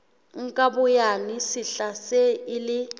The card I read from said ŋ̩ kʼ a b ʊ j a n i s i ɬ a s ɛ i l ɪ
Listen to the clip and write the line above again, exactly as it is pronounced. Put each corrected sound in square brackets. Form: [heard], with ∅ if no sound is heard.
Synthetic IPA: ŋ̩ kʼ a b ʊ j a n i s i ɬ a s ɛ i l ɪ